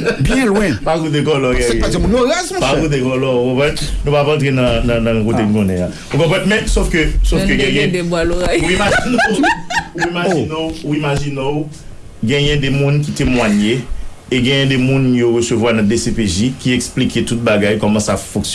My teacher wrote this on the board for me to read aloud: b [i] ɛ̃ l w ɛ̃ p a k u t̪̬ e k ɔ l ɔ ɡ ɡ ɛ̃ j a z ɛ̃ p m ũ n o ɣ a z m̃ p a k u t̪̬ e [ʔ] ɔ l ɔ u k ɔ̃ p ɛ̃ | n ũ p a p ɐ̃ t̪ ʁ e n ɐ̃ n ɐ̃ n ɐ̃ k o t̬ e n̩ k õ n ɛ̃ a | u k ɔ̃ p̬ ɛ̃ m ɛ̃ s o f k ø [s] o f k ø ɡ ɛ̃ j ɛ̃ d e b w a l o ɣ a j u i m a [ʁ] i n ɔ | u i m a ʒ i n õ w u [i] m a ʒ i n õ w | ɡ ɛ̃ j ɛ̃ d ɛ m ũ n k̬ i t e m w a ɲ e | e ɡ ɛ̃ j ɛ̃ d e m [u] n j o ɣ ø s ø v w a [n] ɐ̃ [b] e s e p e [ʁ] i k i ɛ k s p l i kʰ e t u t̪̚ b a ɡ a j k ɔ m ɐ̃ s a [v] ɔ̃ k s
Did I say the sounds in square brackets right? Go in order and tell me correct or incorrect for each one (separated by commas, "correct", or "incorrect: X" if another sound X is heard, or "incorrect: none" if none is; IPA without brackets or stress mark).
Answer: incorrect: j, incorrect: k, correct, incorrect: ʒ, correct, incorrect: ũ, correct, incorrect: d, incorrect: ʒ, incorrect: f